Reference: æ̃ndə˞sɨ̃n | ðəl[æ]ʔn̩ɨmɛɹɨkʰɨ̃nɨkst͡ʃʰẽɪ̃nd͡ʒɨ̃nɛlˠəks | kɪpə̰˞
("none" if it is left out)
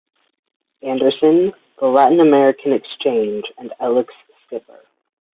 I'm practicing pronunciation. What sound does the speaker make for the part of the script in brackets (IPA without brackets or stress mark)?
æ